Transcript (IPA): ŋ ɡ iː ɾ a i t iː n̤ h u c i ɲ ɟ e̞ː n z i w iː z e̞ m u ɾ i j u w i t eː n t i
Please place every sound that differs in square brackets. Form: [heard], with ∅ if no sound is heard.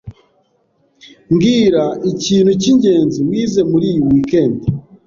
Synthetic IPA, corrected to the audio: ŋ ɡ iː ɾ a i [c] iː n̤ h u c i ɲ ɟ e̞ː n z i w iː z e̞ m u ɾ i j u w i [k] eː n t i